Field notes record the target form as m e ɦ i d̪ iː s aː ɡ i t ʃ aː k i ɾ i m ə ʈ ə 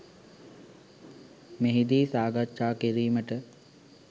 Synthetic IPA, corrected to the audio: m e ɦ i d̪ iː s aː ɡ a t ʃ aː k i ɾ iː m ə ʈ ə